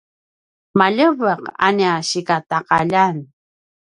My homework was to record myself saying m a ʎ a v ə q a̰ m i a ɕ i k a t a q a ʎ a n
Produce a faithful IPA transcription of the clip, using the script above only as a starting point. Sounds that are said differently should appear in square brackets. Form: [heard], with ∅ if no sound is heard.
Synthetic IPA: m a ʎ [ə] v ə q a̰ [n] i a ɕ i k a t a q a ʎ a n

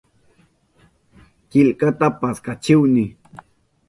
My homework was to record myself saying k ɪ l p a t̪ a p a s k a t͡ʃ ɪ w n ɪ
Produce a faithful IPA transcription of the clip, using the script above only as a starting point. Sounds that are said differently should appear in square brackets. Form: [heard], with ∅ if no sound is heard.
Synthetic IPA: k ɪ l [k] a t̪ a p a s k a t͡ʃ ɪ w n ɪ

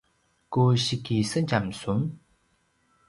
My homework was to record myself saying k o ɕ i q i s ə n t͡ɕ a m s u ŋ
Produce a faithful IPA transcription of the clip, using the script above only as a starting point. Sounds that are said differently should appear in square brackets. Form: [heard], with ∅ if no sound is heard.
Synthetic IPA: k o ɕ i [k] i s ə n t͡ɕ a m s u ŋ

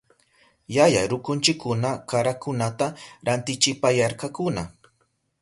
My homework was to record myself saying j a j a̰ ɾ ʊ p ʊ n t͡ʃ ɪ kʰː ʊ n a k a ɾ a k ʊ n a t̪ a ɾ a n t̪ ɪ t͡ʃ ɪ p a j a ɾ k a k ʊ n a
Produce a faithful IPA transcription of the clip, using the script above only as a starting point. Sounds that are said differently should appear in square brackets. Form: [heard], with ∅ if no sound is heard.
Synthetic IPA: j a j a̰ ɾ ʊ [k] ʊ n t͡ʃ ɪ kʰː ʊ n a k a ɾ a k ʊ n a t̪ a ɾ a n t̪ ɪ t͡ʃ ɪ p a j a ɾ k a k ʊ n a

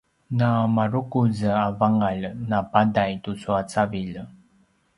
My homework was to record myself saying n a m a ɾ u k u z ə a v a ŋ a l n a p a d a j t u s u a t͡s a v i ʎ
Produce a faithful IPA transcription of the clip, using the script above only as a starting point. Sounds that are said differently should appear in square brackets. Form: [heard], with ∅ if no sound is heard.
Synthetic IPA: n a m a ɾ u k u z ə a v a ŋ a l n a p a d a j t u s u a t͡s a v i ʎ

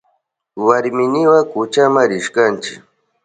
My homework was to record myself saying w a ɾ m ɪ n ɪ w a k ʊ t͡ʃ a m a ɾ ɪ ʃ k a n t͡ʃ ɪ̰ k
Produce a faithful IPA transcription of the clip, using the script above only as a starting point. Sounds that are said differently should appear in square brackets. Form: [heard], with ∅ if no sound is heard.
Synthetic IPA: w a ɾ m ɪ n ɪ w a k ʊ t͡ʃ a m a ɾ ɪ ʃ k a n t͡ʃ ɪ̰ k

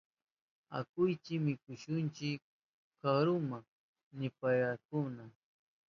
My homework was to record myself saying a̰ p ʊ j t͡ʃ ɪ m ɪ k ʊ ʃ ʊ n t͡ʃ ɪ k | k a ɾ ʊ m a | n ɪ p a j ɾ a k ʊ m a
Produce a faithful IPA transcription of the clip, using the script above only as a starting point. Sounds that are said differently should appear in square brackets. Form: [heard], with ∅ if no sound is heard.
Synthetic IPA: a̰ [k] ʊ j t͡ʃ ɪ m ɪ k ʊ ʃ ʊ n t͡ʃ ɪ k | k a ɾ ʊ m a | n ɪ p a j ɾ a k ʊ [n] a

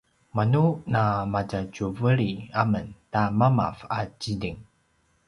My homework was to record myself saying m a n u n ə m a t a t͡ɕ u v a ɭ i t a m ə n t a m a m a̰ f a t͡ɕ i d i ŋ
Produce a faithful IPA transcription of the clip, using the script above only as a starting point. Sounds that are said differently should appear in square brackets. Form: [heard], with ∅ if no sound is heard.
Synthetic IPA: m a n u n [a] m a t a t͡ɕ u v [ə] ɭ i [∅] a m ə n t a m a m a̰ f a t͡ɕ i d i ŋ

